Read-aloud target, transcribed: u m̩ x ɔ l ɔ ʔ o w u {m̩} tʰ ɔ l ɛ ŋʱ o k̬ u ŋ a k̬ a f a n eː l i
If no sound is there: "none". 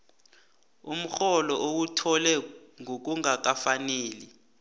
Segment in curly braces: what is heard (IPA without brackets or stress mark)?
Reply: none